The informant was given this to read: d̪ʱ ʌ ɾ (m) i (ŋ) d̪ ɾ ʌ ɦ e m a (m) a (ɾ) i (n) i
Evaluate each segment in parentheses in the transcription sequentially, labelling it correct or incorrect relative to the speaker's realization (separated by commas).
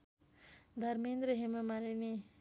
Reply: correct, incorrect, correct, incorrect, correct